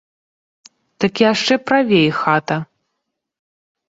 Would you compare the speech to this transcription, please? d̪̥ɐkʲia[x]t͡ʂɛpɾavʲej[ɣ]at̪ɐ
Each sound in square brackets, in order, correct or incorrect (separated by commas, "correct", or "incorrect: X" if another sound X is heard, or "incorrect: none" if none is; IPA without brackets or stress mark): incorrect: ʂ, incorrect: x